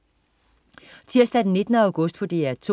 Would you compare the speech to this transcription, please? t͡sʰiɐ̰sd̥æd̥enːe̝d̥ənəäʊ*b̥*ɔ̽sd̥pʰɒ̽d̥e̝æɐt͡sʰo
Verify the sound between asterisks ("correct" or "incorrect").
incorrect